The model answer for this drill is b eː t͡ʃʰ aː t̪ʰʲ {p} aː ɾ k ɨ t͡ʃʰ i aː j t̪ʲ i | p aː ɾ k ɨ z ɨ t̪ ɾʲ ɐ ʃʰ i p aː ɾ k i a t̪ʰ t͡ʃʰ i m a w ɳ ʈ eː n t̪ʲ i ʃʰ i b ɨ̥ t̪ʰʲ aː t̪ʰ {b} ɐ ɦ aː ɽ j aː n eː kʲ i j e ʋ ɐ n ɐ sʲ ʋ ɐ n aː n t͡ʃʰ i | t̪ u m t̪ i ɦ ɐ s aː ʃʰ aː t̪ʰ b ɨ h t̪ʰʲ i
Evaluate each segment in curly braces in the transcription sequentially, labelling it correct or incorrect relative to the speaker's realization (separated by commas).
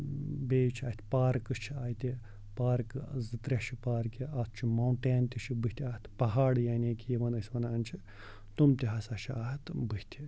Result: correct, incorrect